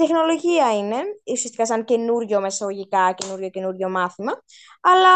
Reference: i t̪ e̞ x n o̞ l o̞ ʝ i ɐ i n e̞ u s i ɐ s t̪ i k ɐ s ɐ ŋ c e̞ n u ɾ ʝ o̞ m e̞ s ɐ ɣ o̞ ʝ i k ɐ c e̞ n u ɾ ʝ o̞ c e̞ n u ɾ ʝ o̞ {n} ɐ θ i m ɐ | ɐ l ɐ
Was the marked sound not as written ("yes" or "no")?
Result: yes